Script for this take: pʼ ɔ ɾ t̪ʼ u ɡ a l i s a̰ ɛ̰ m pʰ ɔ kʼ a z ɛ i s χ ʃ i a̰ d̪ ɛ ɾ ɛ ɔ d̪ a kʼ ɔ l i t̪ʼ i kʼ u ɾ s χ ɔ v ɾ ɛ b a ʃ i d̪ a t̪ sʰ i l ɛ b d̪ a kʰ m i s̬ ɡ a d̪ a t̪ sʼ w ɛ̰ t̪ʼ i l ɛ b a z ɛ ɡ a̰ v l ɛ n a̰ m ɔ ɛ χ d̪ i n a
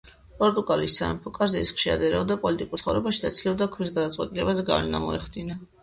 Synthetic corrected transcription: pʼ ɔ ɾ t̪ʼ u ɡ a l i s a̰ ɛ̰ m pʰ ɔ kʼ a z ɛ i s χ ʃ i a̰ d̪ ɛ ɾ ɛ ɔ d̪ a pʼ ɔ l i t̪ʼ i kʼ u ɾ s χ ɔ v ɾ ɛ b a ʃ i d̪ a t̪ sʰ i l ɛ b d̪ a kʰ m i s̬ ɡ a d̪ a t̪ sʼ w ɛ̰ t̪ʼ i l ɛ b a z ɛ ɡ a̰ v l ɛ n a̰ m ɔ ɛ χ d̪ i n a